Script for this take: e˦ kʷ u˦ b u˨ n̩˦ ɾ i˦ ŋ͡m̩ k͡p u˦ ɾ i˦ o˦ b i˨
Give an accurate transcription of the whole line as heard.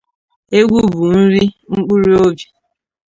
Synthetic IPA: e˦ ɡʷ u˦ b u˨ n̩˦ ɾ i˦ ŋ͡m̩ k͡p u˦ ɾ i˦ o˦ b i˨